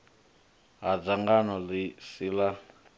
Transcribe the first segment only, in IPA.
ɦ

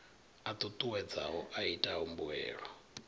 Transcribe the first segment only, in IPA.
a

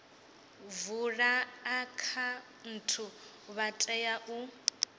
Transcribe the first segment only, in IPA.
v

